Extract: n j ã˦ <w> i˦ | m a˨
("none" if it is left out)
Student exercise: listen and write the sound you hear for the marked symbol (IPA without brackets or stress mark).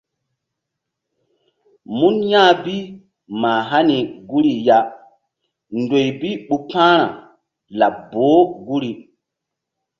b